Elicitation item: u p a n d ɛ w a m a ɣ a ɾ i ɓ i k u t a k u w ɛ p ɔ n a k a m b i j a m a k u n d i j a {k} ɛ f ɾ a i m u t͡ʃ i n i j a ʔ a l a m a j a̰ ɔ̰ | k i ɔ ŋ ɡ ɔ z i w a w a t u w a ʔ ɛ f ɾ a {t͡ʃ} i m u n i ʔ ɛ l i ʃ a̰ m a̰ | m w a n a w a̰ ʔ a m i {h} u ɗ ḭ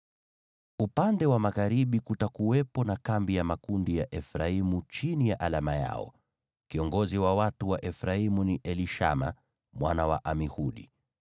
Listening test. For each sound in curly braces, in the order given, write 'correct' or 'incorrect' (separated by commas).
incorrect, incorrect, correct